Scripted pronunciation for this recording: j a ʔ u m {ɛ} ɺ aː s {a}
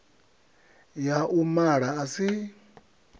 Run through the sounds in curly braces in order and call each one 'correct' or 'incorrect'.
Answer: incorrect, incorrect

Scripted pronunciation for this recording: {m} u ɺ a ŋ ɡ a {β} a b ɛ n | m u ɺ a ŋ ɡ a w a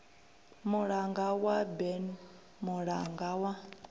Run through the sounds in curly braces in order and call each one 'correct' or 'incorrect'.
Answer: correct, incorrect

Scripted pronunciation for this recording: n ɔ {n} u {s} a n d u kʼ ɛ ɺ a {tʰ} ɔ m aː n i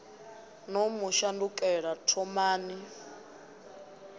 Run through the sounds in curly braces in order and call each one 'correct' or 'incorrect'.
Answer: incorrect, incorrect, correct

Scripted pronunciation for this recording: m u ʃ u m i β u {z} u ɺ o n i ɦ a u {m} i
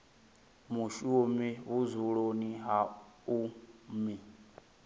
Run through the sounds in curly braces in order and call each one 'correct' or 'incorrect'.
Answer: correct, correct

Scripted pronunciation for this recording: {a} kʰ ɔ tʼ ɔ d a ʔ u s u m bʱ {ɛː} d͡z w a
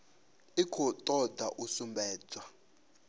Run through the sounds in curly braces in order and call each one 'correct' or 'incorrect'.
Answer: incorrect, correct

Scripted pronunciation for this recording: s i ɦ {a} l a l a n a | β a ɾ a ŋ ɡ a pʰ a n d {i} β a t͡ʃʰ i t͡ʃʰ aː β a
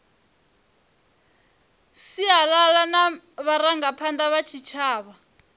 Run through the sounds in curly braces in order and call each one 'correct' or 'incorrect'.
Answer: correct, incorrect

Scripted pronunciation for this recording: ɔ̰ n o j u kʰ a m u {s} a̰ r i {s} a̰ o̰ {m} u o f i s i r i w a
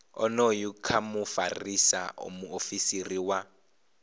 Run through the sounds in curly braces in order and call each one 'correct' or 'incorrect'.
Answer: incorrect, correct, correct

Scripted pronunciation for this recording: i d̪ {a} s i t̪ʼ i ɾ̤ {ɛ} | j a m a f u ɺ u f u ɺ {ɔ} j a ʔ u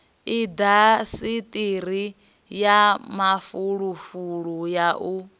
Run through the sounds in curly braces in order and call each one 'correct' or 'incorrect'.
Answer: correct, incorrect, incorrect

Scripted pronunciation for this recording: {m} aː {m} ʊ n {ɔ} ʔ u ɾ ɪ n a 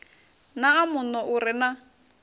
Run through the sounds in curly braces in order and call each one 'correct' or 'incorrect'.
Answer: incorrect, correct, correct

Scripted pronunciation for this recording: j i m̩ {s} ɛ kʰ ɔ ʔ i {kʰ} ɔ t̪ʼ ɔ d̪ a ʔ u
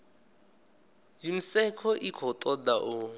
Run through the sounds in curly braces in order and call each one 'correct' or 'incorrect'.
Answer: correct, correct

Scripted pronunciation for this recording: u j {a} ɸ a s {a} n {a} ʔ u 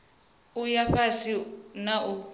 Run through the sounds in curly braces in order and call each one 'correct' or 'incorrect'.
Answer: correct, incorrect, correct

